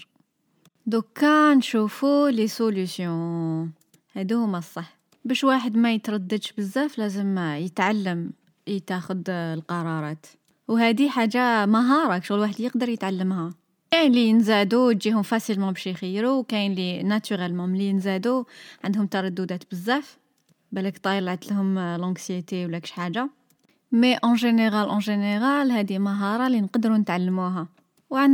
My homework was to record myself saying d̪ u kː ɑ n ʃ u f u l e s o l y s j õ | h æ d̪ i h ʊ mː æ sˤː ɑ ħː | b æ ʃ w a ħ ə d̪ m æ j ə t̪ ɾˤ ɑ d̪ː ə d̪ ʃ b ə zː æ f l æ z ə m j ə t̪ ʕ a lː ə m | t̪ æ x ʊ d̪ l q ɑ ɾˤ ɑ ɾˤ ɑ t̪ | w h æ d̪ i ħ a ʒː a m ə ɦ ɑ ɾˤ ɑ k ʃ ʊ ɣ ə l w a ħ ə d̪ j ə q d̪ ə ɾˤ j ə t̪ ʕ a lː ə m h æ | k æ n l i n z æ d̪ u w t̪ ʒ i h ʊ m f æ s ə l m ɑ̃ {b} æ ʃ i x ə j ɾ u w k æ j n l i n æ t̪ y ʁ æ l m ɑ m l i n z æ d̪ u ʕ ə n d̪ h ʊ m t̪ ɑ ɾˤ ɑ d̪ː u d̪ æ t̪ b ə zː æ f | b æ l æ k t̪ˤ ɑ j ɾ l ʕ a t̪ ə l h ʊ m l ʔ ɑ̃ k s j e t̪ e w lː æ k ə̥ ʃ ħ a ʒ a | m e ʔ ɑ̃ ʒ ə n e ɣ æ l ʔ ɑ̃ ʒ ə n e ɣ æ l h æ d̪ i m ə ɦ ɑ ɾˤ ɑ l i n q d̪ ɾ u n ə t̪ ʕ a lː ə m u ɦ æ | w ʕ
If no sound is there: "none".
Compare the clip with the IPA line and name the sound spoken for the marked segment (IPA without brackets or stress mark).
b